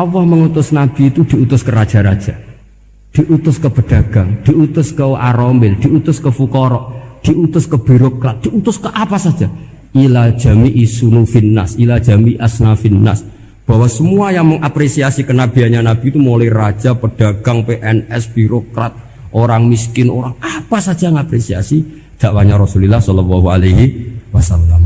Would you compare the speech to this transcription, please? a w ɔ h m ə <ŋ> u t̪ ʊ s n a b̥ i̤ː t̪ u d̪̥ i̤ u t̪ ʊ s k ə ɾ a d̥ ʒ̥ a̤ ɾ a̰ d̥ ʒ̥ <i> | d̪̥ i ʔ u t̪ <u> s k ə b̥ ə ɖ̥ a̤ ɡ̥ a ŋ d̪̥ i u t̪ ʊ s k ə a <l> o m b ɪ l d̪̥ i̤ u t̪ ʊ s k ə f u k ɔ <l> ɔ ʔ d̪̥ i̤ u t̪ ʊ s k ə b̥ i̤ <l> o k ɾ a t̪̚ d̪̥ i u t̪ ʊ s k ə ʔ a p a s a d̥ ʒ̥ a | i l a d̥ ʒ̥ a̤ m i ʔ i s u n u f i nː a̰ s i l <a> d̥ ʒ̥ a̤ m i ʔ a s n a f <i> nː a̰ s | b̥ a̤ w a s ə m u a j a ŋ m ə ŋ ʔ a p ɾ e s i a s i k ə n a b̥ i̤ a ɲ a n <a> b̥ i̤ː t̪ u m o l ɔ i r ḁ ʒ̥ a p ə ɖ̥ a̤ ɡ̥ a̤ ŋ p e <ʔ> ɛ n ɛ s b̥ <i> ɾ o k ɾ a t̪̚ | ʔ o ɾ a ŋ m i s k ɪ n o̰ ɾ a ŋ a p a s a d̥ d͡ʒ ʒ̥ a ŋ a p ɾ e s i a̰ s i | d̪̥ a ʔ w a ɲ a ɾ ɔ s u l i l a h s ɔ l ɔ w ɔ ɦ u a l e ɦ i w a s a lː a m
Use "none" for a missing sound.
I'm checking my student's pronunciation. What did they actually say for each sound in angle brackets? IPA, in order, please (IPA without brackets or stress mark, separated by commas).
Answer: ŋ, a, ʊ, ɾ, ɾ, ɾ, a, i, a, ʔ, i